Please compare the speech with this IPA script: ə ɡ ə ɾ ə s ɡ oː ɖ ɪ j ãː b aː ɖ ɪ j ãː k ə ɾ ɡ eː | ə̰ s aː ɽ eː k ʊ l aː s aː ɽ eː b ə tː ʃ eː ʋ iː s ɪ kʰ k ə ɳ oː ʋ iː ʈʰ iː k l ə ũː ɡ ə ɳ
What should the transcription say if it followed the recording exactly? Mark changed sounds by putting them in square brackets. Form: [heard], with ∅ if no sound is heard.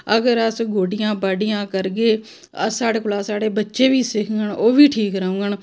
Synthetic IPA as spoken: ə ɡ ə ɾ ə s ɡ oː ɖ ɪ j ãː b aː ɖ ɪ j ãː k ə ɾ ɡ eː | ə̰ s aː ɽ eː k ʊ l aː s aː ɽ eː b ə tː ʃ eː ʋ iː s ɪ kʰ [ɡ] ə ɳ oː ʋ iː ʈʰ iː k [ɾ] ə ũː ɡ ə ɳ